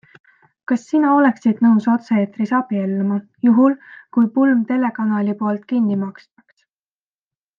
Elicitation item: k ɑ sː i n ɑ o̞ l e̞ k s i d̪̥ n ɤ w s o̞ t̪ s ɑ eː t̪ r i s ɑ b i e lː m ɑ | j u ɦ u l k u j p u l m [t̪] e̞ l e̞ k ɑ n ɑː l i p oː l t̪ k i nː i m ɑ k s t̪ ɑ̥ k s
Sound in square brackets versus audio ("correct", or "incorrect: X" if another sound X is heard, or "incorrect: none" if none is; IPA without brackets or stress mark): correct